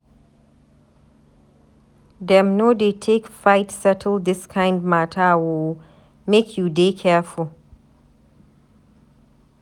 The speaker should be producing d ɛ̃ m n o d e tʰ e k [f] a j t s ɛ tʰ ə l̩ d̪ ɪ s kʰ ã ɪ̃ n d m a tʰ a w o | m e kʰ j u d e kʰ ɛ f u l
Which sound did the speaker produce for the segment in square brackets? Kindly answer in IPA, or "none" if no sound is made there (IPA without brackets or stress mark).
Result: f